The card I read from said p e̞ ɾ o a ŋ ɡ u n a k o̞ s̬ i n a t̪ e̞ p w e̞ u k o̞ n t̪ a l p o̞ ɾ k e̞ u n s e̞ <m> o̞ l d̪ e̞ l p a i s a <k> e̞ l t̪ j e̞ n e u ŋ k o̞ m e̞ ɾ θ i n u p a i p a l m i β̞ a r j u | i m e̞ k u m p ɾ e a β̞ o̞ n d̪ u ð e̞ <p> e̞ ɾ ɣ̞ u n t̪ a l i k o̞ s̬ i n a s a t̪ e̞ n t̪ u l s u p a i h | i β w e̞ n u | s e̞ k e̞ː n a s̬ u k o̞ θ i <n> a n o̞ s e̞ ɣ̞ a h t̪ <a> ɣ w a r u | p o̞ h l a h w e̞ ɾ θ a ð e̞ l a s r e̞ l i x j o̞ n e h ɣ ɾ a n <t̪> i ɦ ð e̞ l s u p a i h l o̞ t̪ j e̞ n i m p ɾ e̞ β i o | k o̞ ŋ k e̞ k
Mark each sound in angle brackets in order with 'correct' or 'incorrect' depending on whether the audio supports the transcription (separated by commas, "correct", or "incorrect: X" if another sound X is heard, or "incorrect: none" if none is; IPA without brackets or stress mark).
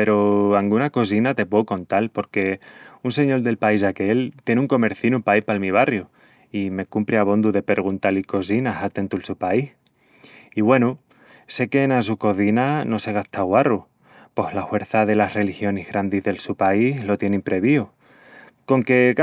incorrect: ɲ, correct, correct, correct, correct, incorrect: d̪